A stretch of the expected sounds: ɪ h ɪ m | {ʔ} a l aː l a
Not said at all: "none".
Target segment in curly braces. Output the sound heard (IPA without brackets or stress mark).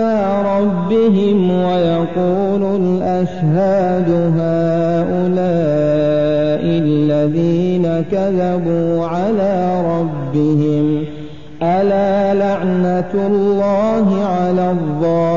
ʔ